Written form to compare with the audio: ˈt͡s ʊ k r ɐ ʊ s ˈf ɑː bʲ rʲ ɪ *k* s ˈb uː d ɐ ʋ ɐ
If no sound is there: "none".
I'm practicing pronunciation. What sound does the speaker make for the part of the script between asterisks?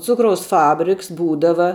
k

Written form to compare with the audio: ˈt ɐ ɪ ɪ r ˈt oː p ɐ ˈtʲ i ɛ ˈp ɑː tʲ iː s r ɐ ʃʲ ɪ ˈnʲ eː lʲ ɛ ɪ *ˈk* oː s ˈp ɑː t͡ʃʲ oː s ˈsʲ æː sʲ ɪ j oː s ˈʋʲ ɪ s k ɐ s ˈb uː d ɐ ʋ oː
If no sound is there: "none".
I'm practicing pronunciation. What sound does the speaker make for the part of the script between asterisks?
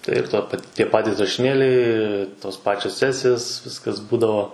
t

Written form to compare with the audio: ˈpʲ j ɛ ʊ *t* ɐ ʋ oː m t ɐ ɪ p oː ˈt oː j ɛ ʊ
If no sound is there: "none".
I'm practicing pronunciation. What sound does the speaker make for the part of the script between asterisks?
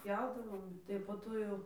d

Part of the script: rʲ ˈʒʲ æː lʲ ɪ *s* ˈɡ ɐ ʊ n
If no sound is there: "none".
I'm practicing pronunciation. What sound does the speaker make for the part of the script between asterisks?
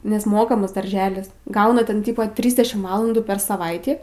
s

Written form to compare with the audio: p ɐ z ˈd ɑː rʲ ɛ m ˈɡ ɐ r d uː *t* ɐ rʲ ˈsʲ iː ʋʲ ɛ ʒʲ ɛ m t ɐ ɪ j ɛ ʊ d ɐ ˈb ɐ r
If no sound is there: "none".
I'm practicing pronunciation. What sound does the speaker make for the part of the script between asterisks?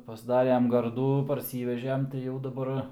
p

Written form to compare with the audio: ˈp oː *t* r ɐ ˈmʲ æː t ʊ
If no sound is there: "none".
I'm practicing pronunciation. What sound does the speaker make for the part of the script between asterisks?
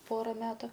none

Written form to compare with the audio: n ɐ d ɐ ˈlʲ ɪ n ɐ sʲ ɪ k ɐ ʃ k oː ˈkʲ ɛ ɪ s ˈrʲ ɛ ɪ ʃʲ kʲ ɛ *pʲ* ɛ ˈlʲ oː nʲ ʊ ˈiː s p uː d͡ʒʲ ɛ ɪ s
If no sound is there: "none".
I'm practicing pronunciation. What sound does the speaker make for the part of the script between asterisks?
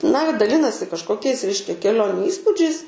kʲ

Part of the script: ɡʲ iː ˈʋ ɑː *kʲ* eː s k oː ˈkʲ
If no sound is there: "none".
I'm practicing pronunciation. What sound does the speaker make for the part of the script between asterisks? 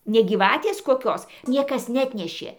tʲ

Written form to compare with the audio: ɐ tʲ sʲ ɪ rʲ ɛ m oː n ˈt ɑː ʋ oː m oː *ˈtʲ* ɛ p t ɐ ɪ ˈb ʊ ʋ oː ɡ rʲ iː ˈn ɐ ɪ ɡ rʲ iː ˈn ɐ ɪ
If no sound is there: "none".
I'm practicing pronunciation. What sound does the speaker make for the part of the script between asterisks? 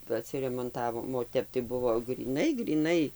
tʲ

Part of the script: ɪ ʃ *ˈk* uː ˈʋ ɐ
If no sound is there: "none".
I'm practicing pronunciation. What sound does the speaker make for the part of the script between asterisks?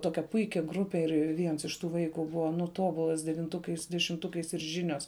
t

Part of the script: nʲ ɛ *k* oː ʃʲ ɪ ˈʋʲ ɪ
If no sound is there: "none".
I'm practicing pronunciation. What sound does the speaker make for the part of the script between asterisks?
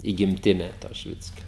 t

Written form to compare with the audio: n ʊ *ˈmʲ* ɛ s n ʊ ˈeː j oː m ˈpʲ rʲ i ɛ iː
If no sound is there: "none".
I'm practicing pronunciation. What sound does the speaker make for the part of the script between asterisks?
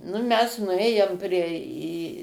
mʲ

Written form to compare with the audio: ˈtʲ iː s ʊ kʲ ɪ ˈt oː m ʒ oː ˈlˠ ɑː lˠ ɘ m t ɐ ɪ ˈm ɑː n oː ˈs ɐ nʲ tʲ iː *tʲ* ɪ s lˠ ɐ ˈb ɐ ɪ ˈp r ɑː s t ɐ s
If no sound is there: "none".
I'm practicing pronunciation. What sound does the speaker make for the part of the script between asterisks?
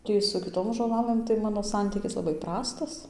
kʲ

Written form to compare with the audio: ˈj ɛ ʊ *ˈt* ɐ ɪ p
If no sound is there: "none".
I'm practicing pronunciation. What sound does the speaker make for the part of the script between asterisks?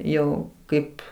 k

